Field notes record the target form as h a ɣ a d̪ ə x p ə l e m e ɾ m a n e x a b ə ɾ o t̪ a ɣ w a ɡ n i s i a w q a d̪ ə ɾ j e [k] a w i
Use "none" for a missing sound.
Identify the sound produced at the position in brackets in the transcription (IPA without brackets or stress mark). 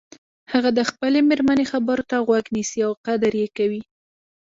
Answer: k